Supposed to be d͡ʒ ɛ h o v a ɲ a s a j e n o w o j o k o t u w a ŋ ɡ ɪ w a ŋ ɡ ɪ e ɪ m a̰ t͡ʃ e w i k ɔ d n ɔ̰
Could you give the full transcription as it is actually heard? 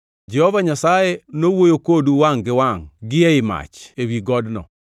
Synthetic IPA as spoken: d͡ʒ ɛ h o v a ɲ a s a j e n o w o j o k o d u w a ŋ ɡ ɪ w a ŋ ɡ ɪ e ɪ m a̰ t͡ʃ e w i ɡ ɔ d n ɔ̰